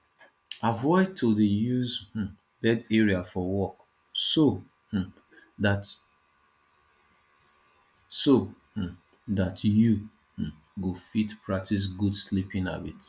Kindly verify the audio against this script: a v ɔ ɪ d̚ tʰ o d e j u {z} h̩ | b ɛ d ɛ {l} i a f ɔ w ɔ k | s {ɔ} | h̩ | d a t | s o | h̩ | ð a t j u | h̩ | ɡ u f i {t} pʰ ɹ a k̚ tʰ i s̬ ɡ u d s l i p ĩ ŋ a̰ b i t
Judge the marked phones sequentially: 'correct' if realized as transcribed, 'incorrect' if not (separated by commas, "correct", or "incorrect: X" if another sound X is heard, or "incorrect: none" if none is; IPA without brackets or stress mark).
correct, incorrect: ɹ, incorrect: o, correct